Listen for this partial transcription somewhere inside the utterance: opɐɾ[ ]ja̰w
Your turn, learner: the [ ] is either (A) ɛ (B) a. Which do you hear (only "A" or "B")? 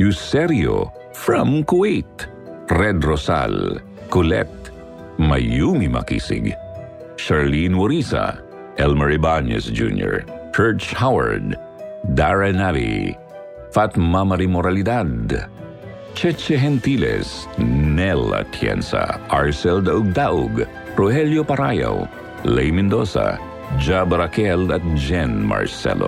B